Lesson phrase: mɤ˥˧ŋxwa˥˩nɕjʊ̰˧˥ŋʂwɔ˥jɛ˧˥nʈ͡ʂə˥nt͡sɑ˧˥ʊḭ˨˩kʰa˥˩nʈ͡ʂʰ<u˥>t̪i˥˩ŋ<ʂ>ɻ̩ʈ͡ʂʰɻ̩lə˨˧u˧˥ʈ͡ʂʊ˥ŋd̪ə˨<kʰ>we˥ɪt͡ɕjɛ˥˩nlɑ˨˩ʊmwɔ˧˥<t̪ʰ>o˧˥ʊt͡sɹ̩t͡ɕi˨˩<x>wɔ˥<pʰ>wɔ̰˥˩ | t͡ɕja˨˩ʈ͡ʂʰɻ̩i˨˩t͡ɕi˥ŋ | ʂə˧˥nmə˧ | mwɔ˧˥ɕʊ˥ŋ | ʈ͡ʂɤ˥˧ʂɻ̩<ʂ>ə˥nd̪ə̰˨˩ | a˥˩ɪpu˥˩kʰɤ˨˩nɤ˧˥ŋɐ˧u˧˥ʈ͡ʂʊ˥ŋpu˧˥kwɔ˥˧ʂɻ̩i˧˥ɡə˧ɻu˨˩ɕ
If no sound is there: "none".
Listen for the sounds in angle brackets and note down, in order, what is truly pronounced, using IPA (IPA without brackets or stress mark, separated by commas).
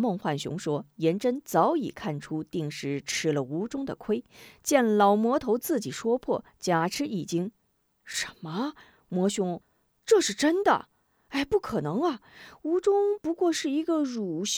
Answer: u˥, ʂ, kʰ, t̪ʰ, ʂ, pʰ, ʈ͡ʂ